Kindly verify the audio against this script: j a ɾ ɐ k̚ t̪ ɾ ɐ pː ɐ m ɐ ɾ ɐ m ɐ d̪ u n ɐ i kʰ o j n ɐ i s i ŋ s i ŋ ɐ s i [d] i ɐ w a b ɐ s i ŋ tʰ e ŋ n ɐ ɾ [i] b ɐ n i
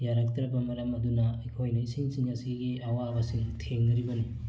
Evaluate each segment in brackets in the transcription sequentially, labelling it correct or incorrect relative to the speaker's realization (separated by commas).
incorrect, correct